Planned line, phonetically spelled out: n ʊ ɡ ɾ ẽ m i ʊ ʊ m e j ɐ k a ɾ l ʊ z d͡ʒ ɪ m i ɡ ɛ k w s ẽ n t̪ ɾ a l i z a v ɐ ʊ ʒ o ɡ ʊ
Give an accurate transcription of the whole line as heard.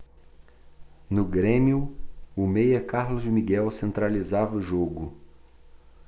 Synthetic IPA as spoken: n ʊ ɡ ɾ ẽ m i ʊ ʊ m e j ɐ k a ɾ l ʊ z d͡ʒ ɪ m i ɡ ɛ w s ẽ n t̪ ɾ a l i z a v ɐ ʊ ʒ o ɡ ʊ